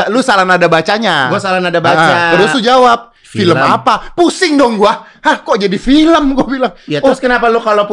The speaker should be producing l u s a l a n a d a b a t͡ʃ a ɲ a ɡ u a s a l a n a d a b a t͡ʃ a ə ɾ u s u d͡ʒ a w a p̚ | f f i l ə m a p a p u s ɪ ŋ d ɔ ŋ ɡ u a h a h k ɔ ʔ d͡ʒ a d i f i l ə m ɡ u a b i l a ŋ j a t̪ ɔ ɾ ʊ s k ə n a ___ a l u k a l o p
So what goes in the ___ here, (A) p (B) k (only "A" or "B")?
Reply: A